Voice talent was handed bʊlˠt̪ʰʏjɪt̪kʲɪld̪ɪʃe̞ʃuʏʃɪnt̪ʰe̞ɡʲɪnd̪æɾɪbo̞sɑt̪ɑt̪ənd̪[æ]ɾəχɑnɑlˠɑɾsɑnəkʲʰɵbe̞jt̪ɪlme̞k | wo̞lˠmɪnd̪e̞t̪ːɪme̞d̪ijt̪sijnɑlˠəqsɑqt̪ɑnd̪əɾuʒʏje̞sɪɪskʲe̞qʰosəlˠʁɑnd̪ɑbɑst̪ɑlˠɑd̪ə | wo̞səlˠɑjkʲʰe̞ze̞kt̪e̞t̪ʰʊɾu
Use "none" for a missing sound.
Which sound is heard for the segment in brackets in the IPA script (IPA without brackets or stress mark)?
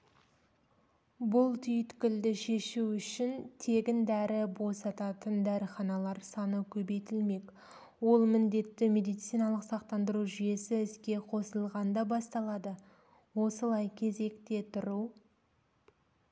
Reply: æ